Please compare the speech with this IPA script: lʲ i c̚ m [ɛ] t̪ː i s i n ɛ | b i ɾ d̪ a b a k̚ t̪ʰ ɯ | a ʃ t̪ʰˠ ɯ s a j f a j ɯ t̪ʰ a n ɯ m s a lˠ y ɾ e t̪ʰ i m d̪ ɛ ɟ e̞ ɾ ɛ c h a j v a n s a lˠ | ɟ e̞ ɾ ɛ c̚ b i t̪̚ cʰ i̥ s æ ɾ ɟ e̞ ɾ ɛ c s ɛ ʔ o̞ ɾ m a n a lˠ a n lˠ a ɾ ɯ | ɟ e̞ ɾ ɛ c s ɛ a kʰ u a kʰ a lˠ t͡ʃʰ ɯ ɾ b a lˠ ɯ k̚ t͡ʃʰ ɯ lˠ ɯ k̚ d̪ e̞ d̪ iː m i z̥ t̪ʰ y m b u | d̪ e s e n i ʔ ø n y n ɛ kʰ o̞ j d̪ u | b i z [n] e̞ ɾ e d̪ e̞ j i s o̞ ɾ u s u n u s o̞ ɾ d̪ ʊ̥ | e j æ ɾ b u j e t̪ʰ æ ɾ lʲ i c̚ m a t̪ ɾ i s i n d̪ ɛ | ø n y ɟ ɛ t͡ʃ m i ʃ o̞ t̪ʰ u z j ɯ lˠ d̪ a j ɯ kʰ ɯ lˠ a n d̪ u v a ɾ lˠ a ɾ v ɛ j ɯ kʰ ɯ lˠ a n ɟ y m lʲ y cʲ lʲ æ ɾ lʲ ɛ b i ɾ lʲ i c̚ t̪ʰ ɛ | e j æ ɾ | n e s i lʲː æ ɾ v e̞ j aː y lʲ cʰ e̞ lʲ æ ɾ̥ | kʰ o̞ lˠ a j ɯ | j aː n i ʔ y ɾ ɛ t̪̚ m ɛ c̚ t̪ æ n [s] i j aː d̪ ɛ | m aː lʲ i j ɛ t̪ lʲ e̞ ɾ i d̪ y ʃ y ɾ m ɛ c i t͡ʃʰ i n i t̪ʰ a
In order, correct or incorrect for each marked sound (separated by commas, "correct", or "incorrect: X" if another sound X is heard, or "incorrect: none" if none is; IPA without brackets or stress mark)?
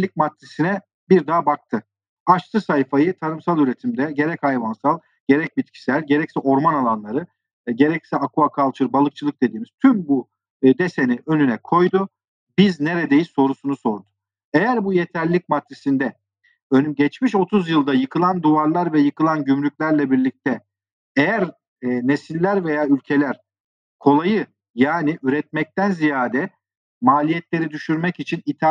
incorrect: a, correct, incorrect: z